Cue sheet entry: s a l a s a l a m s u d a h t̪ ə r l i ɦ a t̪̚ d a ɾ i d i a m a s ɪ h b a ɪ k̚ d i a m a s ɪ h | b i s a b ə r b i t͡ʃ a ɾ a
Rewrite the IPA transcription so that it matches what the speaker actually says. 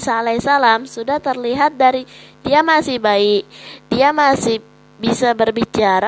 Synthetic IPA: s a l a s a l a m s u d a h t̪ ə r l i ɦ a t̪̚ d a ɾ i d i a m a s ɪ h b a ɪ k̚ d i a m a s ɪ h | b i s a b ə r b i t͡ʃ a ɾ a